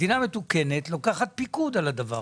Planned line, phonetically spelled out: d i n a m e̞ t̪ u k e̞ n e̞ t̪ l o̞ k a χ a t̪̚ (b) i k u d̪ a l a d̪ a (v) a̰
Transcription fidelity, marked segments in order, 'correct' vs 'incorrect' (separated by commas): incorrect, correct